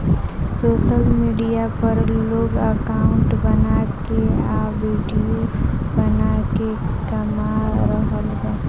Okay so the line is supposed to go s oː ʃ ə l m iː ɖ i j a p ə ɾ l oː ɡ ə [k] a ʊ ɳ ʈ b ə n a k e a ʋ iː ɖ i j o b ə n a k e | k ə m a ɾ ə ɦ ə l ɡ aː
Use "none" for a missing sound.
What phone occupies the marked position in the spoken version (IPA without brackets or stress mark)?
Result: k